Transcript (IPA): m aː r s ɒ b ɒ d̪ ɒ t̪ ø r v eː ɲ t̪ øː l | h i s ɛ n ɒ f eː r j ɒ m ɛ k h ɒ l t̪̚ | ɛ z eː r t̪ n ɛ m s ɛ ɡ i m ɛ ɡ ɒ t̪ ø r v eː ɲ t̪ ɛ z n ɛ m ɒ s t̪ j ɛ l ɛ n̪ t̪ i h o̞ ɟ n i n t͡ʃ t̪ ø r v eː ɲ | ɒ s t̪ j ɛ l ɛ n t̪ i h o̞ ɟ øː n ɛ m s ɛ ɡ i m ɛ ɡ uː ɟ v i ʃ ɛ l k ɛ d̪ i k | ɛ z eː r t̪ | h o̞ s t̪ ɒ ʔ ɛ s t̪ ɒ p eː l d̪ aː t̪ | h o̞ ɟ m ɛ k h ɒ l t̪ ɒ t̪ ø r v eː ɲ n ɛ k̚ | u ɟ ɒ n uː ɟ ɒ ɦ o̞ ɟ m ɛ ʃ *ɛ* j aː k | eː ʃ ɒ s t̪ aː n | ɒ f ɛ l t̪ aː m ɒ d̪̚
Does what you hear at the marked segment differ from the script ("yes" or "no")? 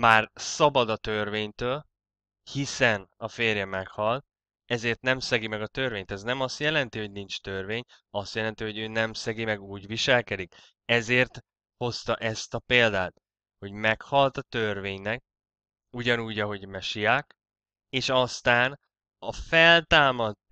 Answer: yes